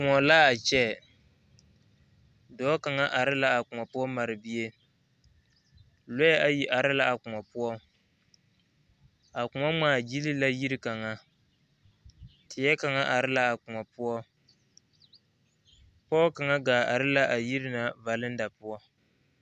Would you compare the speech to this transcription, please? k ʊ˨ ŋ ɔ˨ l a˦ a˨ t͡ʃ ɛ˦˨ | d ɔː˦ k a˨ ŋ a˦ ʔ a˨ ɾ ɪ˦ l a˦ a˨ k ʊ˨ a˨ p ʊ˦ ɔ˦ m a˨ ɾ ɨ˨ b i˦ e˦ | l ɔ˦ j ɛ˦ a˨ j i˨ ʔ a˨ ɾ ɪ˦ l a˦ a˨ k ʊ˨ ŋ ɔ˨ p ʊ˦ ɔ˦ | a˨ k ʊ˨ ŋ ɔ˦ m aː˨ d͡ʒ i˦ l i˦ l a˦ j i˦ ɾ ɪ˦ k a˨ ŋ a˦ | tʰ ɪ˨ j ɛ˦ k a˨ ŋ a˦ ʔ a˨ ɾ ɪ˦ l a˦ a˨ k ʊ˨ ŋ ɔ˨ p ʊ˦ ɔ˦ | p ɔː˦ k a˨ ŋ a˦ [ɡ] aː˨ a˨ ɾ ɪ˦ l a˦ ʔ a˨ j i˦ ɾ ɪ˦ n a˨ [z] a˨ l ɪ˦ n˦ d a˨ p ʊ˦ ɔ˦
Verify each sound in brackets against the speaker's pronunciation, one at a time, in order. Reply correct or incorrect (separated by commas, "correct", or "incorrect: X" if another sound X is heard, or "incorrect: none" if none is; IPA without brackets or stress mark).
correct, incorrect: v